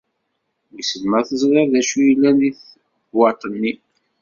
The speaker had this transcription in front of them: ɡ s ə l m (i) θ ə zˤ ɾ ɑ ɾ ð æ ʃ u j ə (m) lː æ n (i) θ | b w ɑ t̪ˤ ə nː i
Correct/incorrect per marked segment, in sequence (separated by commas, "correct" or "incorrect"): incorrect, incorrect, correct